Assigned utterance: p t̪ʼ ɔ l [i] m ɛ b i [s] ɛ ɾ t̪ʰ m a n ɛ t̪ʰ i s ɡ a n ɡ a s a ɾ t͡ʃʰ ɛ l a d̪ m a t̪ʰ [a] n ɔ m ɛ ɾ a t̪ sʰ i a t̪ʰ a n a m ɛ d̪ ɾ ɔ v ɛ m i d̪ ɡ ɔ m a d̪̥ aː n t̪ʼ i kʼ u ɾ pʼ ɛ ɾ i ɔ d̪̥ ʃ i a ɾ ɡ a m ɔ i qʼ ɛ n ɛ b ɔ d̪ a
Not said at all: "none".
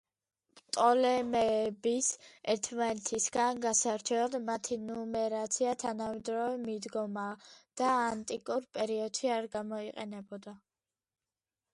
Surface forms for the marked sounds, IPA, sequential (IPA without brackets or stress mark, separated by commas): ɛ, s, i